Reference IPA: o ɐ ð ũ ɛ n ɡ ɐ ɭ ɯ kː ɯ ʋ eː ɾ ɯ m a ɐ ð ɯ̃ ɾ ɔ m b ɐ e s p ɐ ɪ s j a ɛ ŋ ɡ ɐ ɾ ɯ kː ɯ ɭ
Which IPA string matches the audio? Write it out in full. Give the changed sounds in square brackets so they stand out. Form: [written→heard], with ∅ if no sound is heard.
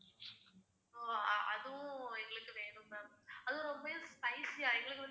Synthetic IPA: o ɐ ð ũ ɛ [n→ŋ] ɡ ɐ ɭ ɯ kː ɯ ʋ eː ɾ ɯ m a ɐ ð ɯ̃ ɾ ɔ m b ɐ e s p ɐ ɪ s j a ɛ ŋ ɡ ɐ [ɾ→ɭ] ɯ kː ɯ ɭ